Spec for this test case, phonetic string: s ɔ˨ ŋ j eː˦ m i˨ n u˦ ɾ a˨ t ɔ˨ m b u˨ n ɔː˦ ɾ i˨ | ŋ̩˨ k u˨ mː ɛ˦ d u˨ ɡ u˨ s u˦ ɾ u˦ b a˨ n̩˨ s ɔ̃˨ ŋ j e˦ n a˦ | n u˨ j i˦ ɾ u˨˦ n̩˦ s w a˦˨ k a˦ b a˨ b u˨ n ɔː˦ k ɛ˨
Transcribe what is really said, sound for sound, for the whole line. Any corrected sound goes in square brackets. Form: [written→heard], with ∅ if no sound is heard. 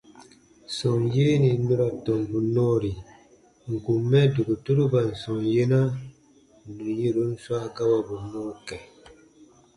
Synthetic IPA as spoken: s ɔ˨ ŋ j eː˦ [m→n] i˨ n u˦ ɾ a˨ t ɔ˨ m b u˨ n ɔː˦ ɾ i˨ | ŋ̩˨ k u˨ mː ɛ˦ d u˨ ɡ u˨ [s→t] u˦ ɾ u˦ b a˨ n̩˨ s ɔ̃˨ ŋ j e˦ n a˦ | n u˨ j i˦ ɾ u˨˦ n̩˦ s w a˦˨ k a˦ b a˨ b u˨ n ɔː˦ k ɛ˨